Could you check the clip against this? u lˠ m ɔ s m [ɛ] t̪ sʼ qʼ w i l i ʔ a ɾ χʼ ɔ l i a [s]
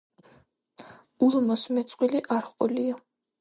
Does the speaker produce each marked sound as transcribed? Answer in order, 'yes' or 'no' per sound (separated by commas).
yes, no